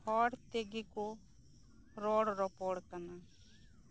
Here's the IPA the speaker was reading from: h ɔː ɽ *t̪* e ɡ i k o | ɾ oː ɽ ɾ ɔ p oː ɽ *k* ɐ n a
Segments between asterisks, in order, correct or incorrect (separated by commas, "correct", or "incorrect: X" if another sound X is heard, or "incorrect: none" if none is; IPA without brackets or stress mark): correct, correct